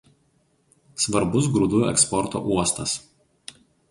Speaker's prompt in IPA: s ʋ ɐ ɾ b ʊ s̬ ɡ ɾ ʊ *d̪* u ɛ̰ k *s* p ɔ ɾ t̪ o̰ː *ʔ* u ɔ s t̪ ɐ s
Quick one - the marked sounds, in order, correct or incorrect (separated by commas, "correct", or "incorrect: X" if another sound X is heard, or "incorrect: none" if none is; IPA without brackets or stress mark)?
correct, correct, correct